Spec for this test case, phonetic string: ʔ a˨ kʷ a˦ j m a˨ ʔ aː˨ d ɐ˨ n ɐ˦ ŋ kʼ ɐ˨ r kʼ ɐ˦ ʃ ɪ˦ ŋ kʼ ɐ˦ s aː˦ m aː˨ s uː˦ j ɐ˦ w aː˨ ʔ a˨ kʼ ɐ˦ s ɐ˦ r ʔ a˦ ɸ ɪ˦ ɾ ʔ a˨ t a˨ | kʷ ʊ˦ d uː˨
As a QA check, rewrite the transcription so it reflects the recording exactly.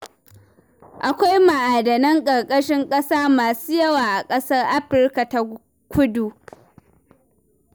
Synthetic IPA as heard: ʔ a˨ kʷ a˦ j m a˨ ʔ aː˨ d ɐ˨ n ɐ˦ ŋ kʼ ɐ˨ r kʼ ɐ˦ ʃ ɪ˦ ŋ kʼ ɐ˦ s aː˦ m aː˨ s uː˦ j ɐ˦ w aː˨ ʔ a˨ kʼ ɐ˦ s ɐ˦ r ʔ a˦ ɸ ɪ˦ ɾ k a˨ t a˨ | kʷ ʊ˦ d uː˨